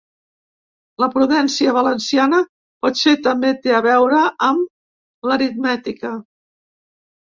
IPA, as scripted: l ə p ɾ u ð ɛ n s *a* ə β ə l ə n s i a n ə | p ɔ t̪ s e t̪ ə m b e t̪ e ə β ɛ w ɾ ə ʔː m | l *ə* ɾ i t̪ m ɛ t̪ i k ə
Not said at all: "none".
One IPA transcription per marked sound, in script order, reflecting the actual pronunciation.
i, ə

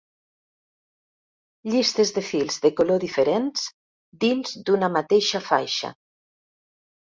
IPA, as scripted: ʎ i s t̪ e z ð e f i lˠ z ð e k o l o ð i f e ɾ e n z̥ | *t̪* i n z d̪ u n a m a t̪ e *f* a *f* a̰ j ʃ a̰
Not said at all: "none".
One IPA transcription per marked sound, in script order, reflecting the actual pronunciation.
d̪, ʃ, f

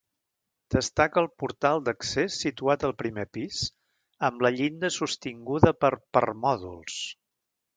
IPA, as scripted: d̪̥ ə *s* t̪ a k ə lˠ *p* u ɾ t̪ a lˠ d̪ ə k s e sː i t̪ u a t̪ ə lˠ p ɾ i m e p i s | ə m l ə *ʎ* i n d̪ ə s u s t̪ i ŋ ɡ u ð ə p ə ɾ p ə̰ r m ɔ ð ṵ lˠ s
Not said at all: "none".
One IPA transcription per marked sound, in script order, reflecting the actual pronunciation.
s, p, ʎ

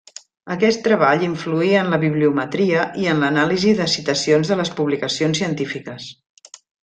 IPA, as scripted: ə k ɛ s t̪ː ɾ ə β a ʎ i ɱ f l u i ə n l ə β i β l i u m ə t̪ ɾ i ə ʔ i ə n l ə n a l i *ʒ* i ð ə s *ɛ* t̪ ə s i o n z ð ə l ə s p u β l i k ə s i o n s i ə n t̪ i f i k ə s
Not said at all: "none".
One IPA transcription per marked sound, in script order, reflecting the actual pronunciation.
z, i

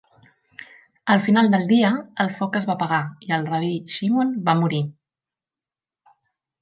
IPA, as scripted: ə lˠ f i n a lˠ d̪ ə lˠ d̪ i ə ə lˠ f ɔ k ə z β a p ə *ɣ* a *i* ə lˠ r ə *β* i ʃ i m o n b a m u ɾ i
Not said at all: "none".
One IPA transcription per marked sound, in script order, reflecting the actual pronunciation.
ɣ, i, β

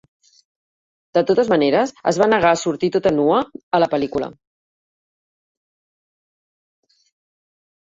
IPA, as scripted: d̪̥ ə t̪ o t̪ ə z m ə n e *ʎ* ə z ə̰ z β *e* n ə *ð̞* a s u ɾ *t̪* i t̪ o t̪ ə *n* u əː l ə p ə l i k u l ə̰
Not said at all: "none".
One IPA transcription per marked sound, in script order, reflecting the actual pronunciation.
ɾ, a, ɣ̞, t̪, n

